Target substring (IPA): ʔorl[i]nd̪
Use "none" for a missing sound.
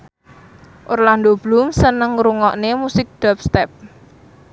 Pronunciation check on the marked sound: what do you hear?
a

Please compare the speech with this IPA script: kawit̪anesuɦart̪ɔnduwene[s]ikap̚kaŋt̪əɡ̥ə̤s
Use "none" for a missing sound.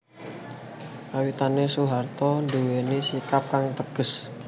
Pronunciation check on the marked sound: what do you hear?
s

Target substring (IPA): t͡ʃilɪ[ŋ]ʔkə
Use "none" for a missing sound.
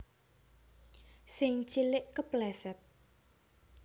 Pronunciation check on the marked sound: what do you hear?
none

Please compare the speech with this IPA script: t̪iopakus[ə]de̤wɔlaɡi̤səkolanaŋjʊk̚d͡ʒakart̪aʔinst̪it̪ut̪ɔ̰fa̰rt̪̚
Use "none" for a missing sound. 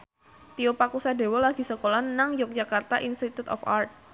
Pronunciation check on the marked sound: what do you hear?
a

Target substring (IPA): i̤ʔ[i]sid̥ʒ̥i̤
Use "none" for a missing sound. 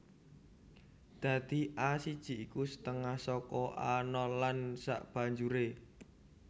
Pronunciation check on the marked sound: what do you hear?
a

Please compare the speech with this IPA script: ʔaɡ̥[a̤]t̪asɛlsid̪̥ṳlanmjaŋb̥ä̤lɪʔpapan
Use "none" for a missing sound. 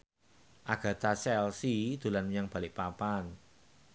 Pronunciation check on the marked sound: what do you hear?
a̤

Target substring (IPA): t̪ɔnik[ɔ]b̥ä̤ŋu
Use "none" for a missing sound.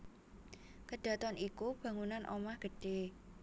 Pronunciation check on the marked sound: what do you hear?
u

